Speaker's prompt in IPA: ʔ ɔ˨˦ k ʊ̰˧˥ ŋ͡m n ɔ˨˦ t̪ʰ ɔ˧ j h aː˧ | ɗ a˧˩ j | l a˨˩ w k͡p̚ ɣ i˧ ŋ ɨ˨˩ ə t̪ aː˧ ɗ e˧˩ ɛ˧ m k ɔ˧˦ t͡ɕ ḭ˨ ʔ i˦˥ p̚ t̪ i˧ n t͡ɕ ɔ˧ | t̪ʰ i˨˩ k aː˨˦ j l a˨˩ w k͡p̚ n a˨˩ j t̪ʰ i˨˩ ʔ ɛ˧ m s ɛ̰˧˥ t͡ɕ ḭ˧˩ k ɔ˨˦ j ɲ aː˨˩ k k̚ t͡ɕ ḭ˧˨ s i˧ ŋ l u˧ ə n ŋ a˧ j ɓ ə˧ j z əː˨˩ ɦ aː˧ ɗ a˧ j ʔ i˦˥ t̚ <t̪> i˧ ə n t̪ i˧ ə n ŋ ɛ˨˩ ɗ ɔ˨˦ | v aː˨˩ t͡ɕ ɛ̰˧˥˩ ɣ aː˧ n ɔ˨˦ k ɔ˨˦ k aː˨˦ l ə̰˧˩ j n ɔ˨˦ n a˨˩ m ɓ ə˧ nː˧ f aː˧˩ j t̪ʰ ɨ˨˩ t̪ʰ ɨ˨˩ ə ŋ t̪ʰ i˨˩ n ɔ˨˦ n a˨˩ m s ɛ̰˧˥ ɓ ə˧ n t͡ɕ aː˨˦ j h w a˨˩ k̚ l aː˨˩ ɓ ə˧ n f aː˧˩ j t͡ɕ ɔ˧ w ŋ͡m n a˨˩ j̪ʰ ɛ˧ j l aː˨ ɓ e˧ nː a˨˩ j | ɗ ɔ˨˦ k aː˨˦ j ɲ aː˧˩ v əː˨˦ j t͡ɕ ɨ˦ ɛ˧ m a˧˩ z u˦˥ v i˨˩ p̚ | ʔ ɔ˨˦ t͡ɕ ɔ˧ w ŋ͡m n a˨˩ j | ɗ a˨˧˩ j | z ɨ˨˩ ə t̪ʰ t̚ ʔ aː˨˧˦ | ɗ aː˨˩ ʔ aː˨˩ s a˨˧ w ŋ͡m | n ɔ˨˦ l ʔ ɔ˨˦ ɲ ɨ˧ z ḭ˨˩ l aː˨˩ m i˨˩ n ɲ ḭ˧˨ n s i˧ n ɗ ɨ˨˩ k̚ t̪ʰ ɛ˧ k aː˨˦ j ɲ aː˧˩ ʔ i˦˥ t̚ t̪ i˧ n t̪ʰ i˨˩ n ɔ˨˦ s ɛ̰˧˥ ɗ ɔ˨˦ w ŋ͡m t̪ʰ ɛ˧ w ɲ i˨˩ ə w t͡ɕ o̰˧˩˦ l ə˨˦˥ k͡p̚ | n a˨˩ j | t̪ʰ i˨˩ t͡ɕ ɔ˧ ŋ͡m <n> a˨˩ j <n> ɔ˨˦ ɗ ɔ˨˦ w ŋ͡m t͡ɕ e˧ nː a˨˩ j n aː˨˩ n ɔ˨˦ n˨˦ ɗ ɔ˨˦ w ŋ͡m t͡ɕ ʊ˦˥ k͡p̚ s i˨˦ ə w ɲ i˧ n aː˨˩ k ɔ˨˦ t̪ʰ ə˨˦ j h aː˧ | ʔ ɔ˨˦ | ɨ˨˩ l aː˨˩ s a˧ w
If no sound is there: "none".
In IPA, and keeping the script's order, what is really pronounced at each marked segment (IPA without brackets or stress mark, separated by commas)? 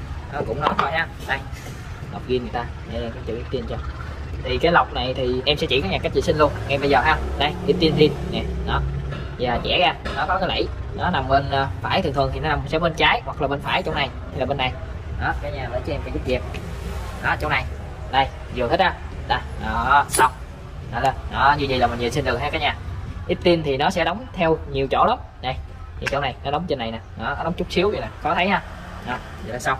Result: t̪, n, n